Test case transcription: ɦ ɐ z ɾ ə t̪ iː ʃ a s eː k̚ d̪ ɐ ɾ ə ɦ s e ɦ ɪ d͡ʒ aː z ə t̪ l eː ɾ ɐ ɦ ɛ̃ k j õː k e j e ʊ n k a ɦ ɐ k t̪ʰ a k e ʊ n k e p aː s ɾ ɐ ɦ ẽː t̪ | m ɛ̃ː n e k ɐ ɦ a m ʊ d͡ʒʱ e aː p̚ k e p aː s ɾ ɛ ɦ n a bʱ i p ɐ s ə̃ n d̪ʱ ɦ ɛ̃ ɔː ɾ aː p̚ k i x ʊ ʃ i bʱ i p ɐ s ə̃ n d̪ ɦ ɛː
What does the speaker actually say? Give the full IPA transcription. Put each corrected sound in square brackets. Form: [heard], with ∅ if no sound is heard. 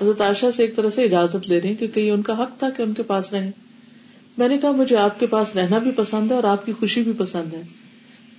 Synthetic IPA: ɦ ɐ z ɾ ə t̪ [aː] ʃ a s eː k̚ [t̪] ɐ ɾ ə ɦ s e [∅] ɪ d͡ʒ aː z ə t̪ l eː ɾ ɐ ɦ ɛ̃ k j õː k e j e ʊ n k a ɦ ɐ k t̪ʰ a k e ʊ n k e p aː s ɾ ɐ ɦ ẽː [∅] | m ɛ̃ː n e k ɐ ɦ a m ʊ d͡ʒʱ e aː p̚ k e p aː s ɾ ɛ ɦ n a bʱ i p ɐ s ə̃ n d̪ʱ ɦ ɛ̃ ɔː ɾ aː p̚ k i x ʊ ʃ i bʱ i p ɐ s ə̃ n d̪ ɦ ɛː